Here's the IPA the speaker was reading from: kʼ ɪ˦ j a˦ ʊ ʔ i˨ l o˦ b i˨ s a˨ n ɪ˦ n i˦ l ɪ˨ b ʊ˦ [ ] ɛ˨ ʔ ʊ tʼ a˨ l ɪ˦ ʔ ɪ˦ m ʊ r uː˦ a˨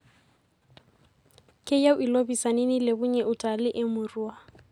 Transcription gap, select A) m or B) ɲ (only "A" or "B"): B